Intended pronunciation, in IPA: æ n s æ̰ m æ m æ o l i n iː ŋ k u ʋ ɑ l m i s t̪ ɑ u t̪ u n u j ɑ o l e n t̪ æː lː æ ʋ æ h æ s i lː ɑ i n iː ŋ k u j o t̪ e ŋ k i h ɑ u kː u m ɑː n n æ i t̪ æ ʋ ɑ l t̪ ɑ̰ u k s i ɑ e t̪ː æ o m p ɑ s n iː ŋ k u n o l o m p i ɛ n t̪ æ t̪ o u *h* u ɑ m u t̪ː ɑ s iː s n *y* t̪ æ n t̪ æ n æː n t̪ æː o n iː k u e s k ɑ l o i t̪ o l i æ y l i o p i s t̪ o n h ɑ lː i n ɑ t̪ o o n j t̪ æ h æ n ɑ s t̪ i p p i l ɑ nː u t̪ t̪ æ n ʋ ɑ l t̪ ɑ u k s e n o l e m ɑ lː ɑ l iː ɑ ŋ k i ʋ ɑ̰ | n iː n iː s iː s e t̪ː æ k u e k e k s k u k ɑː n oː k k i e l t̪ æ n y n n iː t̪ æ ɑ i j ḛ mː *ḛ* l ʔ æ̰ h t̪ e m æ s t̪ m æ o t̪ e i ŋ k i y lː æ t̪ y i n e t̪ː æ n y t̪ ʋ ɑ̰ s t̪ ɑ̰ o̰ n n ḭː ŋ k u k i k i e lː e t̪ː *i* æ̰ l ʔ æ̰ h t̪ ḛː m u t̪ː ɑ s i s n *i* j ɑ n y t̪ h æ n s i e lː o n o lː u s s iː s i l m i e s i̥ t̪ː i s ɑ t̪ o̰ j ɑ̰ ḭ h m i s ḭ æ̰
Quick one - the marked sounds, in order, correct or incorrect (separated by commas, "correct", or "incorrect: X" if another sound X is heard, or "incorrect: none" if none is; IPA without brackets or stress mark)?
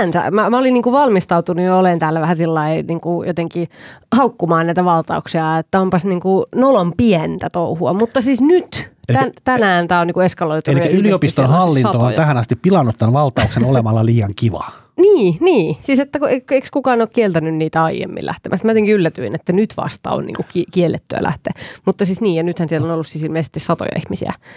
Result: correct, correct, incorrect: ḭ, incorrect: y, incorrect: iː